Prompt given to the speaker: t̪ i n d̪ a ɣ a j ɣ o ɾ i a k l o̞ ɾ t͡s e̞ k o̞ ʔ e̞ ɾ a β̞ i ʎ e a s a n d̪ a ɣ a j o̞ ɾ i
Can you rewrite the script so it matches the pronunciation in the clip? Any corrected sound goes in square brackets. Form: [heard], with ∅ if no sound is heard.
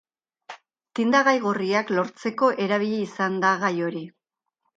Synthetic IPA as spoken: t̪ i n d̪ a ɣ a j ɣ o [r] i a k l o̞ ɾ t͡s e̞ k o̞ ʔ e̞ ɾ a β̞ i ʎ e [i] s a n d̪ a ɣ a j o̞ ɾ i